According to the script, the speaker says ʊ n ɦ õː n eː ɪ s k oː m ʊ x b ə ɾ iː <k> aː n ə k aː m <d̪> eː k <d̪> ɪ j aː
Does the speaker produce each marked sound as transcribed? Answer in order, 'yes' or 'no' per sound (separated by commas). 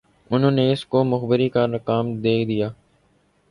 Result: yes, yes, yes